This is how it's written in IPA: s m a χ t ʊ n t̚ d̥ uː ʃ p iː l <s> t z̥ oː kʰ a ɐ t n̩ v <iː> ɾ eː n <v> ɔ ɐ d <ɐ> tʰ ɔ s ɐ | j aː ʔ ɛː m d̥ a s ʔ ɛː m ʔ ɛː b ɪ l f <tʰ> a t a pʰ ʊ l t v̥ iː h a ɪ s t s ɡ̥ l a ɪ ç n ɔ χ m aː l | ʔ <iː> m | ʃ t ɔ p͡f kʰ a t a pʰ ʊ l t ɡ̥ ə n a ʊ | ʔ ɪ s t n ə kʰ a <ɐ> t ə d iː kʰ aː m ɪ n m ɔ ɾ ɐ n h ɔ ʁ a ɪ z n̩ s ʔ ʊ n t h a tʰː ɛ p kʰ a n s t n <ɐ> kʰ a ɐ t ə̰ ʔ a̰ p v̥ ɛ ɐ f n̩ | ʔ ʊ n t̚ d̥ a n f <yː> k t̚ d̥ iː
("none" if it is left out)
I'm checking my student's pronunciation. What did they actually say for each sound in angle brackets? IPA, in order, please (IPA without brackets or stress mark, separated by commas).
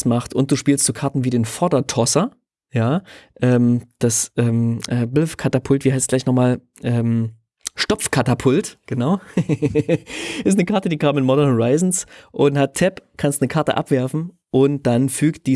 s, iː, f, ɐ, kʰ, ɛː, ɐ, ə, yː